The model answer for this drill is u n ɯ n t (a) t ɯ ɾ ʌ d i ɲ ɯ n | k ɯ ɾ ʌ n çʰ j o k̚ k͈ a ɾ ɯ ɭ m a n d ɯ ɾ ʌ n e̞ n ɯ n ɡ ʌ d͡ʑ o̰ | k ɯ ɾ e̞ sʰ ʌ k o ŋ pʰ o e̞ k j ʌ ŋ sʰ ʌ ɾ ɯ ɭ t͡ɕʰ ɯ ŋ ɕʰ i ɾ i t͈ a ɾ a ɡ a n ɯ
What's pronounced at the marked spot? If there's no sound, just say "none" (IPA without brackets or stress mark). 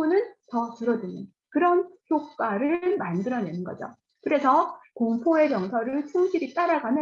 ʌ